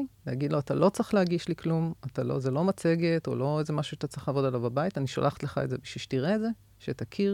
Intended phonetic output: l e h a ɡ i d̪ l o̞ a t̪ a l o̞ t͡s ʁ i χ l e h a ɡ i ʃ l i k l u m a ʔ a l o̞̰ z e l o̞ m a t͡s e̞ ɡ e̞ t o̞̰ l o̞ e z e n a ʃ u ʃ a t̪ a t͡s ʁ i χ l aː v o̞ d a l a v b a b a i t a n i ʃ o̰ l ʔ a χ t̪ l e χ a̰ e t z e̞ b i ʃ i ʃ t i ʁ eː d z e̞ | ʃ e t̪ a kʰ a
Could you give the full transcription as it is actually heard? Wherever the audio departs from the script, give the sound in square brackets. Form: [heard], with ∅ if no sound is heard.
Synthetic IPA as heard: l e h a ɡ i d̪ l o̞ a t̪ a l o̞ t͡s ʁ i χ l e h a ɡ i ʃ l i k l u m a [t] a l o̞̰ z e l o̞ m a t͡s e̞ ɡ e̞ t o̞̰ l o̞ e z e [m] a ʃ u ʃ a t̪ a t͡s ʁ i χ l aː v o̞ d a l a v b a b a i t a n i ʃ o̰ l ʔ a χ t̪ l e χ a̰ e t z e̞ b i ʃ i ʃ t i ʁ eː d z e̞ | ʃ e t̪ a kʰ [i]